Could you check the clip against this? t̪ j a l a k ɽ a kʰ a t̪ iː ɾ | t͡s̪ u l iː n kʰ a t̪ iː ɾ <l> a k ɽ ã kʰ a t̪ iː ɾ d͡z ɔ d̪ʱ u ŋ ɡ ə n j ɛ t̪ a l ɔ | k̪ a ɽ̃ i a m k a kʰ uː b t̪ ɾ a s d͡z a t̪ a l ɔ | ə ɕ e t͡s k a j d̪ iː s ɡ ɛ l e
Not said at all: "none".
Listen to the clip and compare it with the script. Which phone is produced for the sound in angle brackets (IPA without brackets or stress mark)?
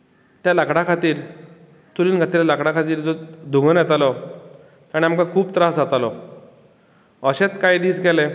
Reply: l